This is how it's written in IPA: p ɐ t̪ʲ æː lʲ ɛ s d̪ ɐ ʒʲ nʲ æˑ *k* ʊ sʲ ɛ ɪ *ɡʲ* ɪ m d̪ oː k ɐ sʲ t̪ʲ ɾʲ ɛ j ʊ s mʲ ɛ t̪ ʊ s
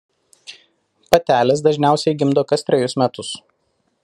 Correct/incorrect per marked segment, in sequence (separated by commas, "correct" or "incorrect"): incorrect, correct